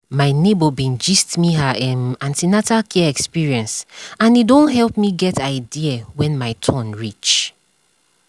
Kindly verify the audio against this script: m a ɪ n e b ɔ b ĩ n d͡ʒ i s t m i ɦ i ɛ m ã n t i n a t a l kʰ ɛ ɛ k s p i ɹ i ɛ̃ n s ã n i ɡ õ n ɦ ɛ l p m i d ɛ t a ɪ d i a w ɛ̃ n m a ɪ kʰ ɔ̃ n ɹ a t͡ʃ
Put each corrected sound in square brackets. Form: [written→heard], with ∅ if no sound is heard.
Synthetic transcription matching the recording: m a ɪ n e b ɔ b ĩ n d͡ʒ i s t m i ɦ [i→a] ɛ m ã n t i n a t a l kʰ ɛ ɛ k s p i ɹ i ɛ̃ n s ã n i [ɡ→d] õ n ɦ ɛ l p m i [d→ɡ] ɛ t a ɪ d i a w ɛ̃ n m a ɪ [kʰ→tʰ] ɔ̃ n ɹ [a→i] t͡ʃ